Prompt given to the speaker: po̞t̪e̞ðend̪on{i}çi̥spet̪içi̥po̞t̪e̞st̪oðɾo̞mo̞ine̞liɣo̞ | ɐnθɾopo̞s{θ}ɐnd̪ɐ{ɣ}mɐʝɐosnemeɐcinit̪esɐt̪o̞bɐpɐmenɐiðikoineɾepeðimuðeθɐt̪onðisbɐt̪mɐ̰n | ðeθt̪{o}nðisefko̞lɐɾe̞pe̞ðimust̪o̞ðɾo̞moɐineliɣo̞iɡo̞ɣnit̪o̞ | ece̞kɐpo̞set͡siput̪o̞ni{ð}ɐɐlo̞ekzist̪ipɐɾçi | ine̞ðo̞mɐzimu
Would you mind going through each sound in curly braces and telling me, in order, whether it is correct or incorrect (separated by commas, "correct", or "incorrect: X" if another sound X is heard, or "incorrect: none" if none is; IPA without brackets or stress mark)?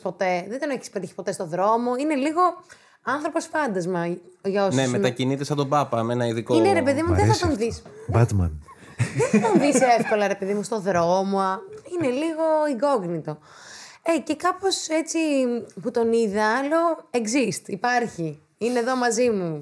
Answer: incorrect: e, incorrect: f, incorrect: z, correct, correct